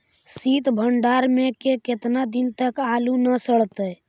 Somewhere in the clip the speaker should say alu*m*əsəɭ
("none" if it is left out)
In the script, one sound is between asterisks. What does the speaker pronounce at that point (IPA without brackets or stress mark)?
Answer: n